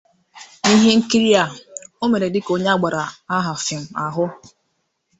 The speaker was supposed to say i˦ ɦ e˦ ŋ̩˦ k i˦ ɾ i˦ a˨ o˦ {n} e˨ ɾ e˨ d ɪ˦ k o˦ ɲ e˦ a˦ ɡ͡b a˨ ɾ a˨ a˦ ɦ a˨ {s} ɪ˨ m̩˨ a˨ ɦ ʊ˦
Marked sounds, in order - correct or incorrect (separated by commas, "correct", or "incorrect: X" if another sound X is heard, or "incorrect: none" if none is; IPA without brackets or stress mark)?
incorrect: m, incorrect: f